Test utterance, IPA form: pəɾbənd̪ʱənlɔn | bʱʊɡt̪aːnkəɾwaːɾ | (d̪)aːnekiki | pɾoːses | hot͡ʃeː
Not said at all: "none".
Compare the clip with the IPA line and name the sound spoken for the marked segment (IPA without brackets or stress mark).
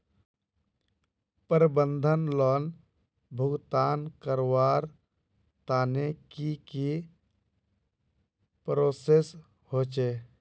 t̪